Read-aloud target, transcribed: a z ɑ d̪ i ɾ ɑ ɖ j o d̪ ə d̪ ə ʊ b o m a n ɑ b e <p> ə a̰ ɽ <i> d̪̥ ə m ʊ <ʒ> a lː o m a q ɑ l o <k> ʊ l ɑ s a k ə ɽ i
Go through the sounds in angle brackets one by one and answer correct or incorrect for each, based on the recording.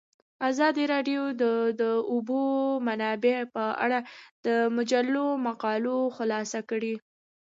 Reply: correct, incorrect: a, incorrect: d͡ʒ, incorrect: x

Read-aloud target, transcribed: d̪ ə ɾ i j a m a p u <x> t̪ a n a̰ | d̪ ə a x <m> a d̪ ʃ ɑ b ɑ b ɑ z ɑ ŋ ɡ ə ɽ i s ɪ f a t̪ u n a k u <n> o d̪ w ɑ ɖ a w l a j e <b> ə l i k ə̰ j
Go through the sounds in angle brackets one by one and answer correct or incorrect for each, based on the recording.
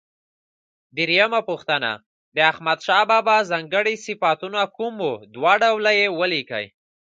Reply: correct, correct, incorrect: m, incorrect: w

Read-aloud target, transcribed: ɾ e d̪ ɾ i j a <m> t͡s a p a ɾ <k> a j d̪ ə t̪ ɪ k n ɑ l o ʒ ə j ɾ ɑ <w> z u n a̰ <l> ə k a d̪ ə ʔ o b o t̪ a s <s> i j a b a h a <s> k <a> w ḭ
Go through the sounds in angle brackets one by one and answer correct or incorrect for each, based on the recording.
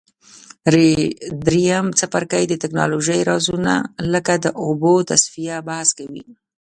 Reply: correct, correct, incorrect: none, correct, incorrect: f, correct, correct

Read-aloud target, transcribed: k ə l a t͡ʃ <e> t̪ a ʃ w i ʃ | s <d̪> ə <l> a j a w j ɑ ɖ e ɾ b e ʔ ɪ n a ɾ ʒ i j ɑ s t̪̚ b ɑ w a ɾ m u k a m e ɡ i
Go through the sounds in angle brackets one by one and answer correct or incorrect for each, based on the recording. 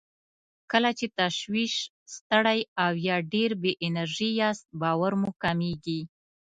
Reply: correct, incorrect: t̪, incorrect: ɽ

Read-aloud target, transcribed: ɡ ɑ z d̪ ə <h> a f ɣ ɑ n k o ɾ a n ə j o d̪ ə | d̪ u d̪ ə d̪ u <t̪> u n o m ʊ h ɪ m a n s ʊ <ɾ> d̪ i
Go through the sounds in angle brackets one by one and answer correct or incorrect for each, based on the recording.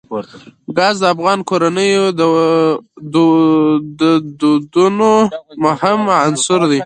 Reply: incorrect: none, incorrect: d̪, correct

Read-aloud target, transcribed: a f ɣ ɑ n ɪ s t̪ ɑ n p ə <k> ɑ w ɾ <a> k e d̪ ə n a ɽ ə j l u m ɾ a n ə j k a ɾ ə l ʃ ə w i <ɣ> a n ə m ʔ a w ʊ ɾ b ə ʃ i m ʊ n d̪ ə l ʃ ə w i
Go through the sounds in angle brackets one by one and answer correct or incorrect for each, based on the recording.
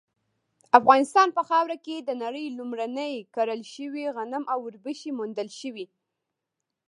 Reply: incorrect: x, correct, correct

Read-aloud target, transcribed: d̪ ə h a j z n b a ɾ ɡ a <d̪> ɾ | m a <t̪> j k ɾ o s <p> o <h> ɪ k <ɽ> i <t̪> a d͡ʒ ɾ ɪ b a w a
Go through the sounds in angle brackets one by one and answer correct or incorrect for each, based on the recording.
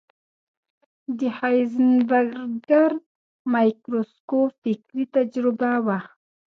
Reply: incorrect: none, incorrect: none, incorrect: k, incorrect: f, incorrect: ɾ, correct

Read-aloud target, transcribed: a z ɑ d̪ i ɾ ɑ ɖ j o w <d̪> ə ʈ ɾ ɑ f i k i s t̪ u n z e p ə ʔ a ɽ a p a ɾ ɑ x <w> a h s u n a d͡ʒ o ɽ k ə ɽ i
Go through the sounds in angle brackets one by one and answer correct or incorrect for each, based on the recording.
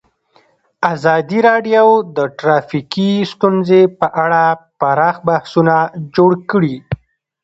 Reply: correct, incorrect: b

